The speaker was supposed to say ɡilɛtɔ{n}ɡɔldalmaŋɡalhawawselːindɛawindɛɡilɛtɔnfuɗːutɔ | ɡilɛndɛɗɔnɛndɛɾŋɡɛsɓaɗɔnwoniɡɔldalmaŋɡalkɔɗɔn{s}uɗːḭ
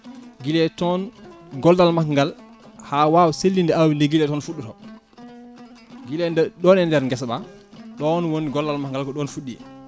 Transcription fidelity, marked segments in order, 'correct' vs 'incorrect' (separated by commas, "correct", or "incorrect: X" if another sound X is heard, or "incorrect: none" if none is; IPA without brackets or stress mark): correct, incorrect: f